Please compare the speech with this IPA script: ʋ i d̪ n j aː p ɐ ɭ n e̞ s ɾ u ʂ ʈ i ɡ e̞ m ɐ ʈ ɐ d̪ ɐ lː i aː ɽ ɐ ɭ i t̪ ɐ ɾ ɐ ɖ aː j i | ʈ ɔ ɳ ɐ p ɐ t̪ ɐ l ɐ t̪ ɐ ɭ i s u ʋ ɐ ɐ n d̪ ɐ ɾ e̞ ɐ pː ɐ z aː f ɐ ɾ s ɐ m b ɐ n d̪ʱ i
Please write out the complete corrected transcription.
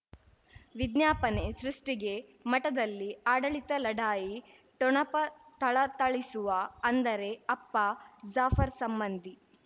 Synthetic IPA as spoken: ʋ i d̪ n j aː p ɐ n e̞ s ɾ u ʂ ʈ i ɡ e̞ m ɐ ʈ ɐ d̪ ɐ lː i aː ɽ ɐ ɭ i t̪ ɐ l ɐ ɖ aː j i | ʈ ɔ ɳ ɐ p ɐ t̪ ɐ ɭ ɐ t̪ ɐ ɭ i s u ʋ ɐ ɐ n d̪ ɐ ɾ e̞ ɐ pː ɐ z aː f ɐ ɾ s ɐ m b ɐ n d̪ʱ i